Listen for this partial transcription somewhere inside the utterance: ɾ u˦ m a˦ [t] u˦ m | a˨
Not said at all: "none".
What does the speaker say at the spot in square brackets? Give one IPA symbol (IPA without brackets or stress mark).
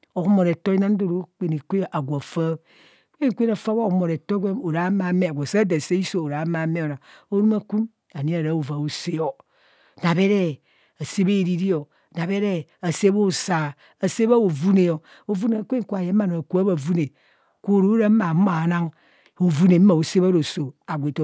k